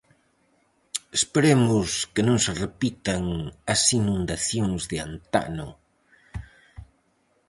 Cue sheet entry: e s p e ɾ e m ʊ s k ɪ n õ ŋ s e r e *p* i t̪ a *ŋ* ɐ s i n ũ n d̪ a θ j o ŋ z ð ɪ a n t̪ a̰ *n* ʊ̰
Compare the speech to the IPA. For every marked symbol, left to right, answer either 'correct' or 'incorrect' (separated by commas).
correct, correct, correct